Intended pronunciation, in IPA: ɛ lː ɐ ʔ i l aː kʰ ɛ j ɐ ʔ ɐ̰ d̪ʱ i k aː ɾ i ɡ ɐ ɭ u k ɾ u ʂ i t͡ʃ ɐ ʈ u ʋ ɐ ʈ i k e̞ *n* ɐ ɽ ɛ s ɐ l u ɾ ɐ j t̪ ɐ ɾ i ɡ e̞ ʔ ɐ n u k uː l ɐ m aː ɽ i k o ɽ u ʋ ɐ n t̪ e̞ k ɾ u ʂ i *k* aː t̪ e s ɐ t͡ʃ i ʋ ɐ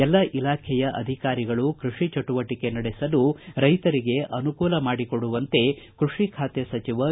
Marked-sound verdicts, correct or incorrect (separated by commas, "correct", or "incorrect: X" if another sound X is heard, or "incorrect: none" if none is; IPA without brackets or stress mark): correct, incorrect: kʰ